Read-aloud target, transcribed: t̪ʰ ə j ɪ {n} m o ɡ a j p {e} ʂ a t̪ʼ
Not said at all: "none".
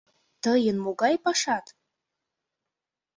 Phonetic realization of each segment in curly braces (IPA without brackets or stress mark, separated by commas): n, a